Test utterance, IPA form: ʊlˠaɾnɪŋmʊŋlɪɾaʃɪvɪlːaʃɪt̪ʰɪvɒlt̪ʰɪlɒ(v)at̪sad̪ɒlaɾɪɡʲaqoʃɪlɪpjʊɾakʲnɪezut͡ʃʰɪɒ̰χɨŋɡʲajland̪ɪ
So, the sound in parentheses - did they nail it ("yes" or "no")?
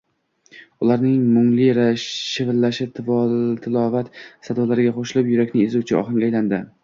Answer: yes